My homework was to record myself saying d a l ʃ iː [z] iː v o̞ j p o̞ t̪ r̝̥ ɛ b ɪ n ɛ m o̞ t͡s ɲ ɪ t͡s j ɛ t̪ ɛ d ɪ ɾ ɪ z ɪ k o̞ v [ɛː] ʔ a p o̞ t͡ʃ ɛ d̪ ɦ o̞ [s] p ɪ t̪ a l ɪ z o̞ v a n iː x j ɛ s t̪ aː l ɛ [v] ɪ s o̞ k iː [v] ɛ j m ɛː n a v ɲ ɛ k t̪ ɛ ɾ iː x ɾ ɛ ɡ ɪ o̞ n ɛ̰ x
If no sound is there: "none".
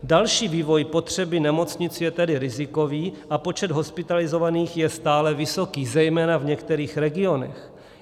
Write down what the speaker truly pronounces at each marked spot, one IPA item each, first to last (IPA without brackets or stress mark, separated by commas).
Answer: v, iː, s, v, z